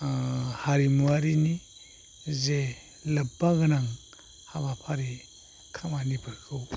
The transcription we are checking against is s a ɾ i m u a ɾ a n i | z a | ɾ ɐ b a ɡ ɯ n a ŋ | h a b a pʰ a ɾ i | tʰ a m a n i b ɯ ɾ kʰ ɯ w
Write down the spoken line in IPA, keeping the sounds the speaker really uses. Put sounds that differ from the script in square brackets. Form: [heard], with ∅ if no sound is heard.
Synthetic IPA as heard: [h] a ɾ i m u a ɾ [i] n i | z [e] | [l] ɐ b a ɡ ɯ n a ŋ | h a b a pʰ a ɾ i | [kʰ] a m a n i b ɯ ɾ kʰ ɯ w